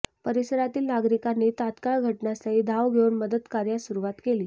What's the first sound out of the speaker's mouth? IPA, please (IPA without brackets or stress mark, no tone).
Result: p